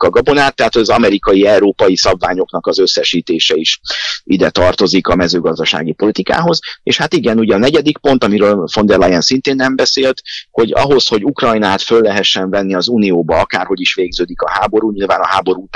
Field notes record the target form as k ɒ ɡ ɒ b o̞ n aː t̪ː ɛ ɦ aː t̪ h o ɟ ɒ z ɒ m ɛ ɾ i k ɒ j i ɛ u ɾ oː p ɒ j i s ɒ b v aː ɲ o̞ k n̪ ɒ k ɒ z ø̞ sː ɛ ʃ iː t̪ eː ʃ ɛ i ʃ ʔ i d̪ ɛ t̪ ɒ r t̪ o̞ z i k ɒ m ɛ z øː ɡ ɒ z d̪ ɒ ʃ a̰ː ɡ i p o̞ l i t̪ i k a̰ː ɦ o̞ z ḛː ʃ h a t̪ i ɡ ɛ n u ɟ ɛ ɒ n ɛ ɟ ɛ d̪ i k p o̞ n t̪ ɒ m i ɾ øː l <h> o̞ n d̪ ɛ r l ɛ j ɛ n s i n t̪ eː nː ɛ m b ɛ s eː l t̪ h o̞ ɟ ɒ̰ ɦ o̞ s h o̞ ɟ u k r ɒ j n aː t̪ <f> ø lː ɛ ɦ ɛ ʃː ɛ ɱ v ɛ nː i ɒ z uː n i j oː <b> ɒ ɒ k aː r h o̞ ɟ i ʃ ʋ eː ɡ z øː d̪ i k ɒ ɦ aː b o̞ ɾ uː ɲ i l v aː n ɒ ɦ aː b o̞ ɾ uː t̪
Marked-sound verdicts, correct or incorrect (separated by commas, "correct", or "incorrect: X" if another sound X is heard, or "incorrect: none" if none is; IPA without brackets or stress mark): incorrect: f, correct, correct